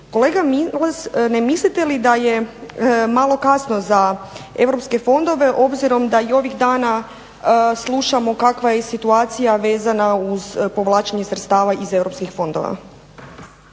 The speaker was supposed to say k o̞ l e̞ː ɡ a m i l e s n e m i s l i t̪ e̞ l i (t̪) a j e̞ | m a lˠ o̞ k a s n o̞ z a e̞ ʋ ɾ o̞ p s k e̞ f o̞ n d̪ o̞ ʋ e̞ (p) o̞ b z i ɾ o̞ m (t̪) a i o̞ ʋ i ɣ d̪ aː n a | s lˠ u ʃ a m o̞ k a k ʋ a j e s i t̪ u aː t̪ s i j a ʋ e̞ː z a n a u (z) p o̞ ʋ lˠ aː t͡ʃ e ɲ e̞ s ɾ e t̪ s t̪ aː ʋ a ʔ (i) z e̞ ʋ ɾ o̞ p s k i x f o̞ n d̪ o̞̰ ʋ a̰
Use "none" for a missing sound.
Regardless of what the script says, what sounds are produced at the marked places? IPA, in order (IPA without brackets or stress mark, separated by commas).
d̪, ʔ, d̪, z, i